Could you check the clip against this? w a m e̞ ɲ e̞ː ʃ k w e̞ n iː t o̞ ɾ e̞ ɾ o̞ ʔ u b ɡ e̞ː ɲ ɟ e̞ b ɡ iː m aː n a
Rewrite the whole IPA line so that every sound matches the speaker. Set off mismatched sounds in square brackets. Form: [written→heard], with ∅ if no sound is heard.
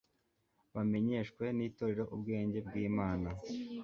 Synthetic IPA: [w→β] a m e̞ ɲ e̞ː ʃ k w e̞ n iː t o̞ ɾ e̞ ɾ o̞ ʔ u b ɡ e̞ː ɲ ɟ e̞ b ɡ iː m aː n a